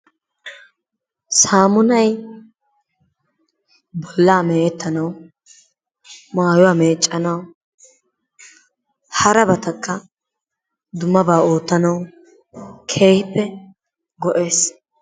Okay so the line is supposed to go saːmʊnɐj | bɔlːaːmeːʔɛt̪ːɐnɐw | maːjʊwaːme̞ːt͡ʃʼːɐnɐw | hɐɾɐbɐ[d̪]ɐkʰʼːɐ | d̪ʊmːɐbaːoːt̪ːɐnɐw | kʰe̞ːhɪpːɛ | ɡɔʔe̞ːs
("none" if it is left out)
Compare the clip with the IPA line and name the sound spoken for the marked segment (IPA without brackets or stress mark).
t̪